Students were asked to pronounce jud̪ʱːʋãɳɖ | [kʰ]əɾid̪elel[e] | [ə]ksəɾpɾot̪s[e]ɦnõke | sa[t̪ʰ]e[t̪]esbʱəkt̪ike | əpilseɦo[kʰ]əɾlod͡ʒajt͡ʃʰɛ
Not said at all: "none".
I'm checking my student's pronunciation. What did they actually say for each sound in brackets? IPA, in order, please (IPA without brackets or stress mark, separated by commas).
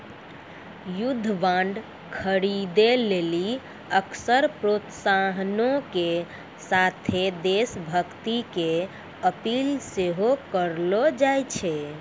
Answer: kʰ, i, ə, a, t̪ʰ, d̪, k